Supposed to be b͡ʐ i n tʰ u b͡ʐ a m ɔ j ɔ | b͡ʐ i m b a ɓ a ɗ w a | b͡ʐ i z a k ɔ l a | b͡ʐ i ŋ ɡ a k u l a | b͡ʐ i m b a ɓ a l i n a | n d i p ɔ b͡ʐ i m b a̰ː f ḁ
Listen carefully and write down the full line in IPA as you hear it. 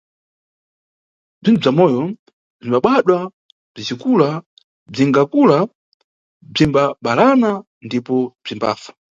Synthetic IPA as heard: b͡ʐ i n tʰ u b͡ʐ a m ɔ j ɔ | b͡ʐ i m b a ɓ a ɗ w a | b͡ʐ i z i k u l a | b͡ʐ i ŋ ɡ a k u l a | b͡ʐ i m b a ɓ a l a n a | n d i p ɔ b͡ʐ i m b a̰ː f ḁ